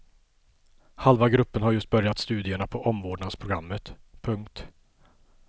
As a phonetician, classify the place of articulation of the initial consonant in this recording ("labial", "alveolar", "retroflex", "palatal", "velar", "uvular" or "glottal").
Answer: glottal